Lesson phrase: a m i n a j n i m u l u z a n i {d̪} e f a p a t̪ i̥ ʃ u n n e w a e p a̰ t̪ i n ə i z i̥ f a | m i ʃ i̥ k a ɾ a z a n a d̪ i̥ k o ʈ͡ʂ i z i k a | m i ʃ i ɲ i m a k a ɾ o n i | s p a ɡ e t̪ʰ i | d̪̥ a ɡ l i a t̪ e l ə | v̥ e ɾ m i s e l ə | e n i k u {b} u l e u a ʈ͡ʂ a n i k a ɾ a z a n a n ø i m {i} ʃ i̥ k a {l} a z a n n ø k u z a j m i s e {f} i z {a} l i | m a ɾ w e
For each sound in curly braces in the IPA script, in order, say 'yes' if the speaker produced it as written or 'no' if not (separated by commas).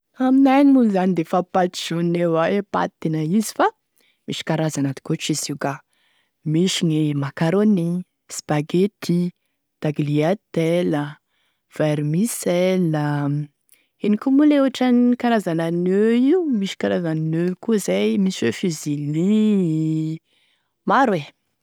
yes, no, yes, no, yes, no